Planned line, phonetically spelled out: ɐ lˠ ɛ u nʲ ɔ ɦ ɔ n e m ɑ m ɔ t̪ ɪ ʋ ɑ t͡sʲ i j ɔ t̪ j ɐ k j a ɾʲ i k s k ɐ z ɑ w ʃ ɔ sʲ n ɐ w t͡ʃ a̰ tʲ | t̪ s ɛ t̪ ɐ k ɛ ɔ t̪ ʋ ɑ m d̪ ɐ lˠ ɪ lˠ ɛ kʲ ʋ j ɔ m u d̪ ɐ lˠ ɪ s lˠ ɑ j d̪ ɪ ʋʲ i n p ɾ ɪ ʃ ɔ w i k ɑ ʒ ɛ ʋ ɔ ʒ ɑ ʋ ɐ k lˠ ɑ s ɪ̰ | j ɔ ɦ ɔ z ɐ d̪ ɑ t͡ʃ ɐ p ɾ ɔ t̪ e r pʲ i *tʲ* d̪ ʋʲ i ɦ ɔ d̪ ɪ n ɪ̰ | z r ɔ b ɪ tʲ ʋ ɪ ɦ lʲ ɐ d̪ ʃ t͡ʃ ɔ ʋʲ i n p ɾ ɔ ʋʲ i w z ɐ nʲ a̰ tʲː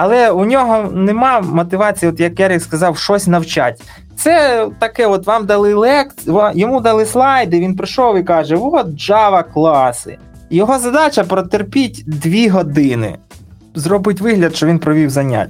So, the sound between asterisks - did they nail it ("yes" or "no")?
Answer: yes